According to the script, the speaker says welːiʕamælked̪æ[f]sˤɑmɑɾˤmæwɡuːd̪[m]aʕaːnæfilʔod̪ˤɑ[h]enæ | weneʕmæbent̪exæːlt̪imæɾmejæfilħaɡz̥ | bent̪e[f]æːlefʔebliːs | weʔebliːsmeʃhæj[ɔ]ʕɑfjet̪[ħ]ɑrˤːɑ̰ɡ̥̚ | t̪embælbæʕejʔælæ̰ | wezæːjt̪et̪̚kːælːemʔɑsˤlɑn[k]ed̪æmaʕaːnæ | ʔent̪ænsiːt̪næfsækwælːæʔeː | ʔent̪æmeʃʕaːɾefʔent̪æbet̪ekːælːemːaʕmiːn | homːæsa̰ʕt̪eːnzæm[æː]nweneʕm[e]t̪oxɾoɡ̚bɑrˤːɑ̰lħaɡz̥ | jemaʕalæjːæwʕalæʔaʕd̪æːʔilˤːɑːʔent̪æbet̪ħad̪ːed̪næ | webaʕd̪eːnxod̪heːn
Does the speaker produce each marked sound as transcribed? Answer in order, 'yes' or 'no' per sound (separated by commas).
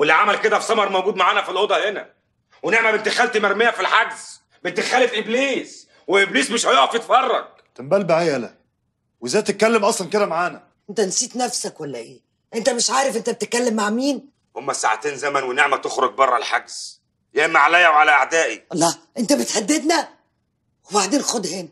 yes, yes, yes, no, no, no, yes, no, no